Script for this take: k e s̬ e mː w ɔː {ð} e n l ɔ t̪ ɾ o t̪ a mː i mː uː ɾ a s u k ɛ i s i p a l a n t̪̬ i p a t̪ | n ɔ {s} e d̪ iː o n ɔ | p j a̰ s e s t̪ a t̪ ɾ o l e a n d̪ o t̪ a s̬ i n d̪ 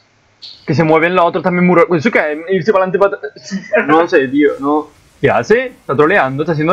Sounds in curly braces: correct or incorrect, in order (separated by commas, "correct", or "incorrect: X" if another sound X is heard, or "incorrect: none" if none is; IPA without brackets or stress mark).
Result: incorrect: v, correct